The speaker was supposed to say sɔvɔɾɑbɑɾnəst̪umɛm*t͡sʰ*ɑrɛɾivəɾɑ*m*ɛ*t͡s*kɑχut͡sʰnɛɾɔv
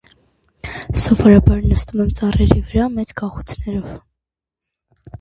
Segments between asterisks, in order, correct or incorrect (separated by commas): incorrect, correct, correct